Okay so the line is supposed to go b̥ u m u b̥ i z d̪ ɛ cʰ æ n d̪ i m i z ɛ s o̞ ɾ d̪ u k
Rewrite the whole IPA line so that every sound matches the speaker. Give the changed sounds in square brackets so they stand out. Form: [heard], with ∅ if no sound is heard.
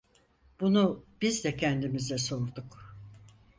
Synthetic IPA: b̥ u [n] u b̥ i z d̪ ɛ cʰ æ n d̪ i m i z ɛ s o̞ ɾ d̪ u k